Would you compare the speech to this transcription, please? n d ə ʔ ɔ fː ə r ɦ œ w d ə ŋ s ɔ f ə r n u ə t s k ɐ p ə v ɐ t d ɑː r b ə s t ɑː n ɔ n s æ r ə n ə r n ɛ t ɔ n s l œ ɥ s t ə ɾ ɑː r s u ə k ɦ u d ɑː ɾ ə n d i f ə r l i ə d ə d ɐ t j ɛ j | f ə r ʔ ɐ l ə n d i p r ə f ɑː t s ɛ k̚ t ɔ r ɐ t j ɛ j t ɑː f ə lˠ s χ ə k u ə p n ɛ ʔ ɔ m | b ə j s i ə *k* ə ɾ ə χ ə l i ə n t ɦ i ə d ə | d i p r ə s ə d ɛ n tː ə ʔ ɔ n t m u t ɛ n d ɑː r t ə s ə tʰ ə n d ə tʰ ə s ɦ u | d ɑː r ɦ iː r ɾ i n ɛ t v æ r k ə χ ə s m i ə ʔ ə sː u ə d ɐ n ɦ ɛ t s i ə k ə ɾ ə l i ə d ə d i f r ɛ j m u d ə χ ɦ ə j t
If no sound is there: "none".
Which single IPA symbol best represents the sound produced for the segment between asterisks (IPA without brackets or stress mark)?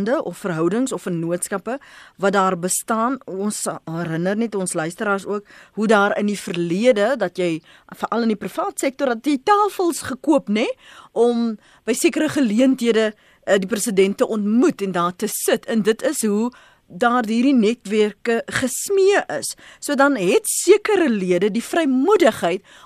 k